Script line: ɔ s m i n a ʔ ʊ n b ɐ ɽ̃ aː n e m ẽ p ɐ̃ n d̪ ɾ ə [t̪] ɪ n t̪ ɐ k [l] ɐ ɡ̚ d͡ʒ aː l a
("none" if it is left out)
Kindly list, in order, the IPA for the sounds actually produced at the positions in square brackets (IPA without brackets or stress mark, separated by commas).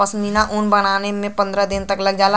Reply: d̪, l